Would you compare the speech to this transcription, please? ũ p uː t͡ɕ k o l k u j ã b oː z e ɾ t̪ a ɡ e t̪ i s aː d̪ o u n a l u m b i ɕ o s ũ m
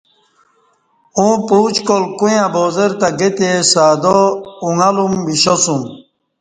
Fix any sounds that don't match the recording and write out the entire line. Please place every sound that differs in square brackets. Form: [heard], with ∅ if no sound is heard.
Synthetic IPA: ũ p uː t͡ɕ k o l k u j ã b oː z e ɾ t̪ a ɡ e t̪ [e] s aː d̪ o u [ŋ] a l u m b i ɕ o s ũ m